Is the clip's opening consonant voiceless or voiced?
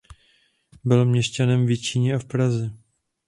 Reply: voiced